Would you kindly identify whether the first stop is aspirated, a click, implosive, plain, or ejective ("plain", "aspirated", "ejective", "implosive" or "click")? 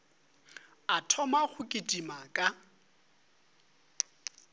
aspirated